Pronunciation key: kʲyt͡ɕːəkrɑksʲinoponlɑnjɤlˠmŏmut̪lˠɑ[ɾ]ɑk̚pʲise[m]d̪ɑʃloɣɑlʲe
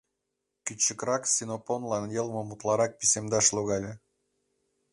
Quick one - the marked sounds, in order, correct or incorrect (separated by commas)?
correct, correct